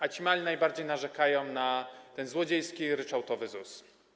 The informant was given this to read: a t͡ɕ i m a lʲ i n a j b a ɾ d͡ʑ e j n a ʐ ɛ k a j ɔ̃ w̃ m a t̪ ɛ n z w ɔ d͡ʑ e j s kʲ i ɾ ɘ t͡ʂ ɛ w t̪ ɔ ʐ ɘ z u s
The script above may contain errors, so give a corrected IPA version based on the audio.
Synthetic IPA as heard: a t͡ɕ i m a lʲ i n a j b a ɾ d͡ʑ e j n a ʐ ɛ k a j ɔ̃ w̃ n a t̪ ɛ n z w ɔ d͡ʑ e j s kʲ i ɾ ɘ t͡ʂ a w t̪ ɔ v ɘ z u s